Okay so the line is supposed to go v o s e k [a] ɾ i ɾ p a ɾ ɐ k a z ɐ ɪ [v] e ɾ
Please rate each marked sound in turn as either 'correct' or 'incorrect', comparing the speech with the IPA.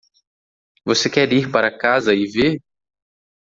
incorrect: ɛ, correct

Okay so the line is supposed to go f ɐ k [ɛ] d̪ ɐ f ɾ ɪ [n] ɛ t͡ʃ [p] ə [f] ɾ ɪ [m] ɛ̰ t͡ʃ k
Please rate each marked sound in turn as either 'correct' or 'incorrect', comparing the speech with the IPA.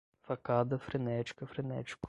incorrect: a, correct, incorrect: k, correct, incorrect: n

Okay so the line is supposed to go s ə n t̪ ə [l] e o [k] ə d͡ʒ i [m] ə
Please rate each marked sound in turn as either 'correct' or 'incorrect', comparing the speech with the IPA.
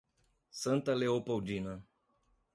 correct, incorrect: p, incorrect: n

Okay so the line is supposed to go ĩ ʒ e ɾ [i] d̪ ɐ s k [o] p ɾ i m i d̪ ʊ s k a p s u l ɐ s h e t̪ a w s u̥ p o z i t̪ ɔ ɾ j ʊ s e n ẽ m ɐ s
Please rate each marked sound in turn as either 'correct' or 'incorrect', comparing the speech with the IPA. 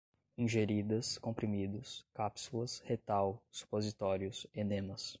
correct, incorrect: õ

